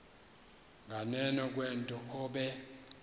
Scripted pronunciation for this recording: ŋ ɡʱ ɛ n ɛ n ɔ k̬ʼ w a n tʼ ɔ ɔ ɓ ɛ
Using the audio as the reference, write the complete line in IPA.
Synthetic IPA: ŋ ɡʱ a n ɛ n ɔ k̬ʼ w ɛ n tʼ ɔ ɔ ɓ ɛ

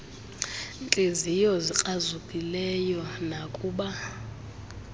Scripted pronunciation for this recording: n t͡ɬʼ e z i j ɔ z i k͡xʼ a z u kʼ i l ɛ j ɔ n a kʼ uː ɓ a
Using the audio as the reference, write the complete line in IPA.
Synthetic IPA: n t͡ɬʼ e z i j ɔ z i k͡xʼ a z u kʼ i l ɛ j ɔ n a kʼ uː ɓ a

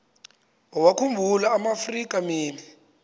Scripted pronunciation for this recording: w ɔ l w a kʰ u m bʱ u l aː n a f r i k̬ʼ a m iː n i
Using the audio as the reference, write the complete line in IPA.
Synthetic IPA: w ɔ w a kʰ u m bʱ u l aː m a f r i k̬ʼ a m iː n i

